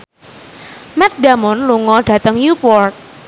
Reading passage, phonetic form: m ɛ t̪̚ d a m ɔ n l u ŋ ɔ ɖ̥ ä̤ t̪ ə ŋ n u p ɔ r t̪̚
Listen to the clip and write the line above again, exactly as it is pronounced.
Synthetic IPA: m ɛ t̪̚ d a m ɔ n l u ŋ ɔ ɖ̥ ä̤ t̪ ə ŋ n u p ɔ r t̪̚